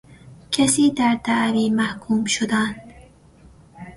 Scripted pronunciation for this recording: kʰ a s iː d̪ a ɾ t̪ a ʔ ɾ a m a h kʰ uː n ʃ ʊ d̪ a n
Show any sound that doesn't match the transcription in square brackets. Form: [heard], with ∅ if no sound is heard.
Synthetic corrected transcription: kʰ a s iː d̪ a ɾ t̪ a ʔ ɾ [i] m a h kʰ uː [m] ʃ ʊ d̪ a n